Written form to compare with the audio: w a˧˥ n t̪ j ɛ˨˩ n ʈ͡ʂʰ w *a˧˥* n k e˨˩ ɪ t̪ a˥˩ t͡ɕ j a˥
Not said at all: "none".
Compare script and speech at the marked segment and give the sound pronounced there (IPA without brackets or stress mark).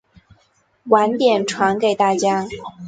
a˧˥